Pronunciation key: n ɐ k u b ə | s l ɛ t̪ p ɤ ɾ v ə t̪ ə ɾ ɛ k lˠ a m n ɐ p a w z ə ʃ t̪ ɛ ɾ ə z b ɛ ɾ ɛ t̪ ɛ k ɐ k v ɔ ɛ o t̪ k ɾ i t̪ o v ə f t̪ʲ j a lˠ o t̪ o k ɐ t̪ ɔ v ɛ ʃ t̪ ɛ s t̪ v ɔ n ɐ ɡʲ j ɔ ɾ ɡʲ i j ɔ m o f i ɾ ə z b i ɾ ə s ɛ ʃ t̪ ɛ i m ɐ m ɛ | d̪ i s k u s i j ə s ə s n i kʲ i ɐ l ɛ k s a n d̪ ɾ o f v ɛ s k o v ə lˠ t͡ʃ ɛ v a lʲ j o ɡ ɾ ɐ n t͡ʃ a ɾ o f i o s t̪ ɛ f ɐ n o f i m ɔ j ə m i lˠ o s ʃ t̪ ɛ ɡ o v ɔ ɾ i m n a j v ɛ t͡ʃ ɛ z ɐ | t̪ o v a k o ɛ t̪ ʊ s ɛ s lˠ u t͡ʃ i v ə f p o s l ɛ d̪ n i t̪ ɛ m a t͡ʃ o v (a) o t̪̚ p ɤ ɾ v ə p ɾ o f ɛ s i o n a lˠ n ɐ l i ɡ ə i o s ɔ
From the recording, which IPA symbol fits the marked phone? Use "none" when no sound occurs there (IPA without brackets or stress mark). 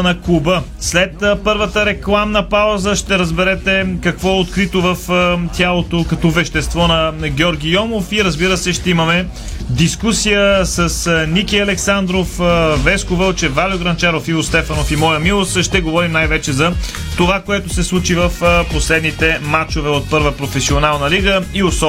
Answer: ɛ